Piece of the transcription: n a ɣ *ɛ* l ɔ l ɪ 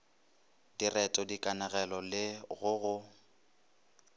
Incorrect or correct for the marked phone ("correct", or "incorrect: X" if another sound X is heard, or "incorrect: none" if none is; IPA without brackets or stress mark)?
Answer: correct